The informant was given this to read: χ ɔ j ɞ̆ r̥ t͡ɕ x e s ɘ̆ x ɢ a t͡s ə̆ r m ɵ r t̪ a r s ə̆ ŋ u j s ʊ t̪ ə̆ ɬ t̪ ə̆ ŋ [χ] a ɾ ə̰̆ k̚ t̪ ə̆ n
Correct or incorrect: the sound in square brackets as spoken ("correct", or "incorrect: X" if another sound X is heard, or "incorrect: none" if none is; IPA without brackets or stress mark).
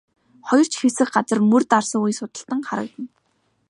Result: correct